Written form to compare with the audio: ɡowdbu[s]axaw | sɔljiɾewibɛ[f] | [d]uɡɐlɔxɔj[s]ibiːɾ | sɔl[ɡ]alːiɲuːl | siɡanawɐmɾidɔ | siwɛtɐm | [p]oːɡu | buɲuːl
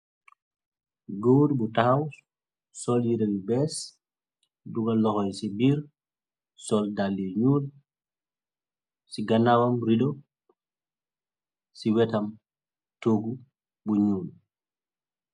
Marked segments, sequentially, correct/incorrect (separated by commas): incorrect, incorrect, correct, correct, incorrect, incorrect